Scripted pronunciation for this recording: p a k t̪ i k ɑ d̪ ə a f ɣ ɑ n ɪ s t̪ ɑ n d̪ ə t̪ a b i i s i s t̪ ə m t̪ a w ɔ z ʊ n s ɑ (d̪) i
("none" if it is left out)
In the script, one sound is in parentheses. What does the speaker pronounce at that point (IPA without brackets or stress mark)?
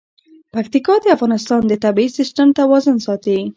t̪